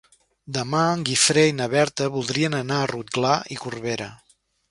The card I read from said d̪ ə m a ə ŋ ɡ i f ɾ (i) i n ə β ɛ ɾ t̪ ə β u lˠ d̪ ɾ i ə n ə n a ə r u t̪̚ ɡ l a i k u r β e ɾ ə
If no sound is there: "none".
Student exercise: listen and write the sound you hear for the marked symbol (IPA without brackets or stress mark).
e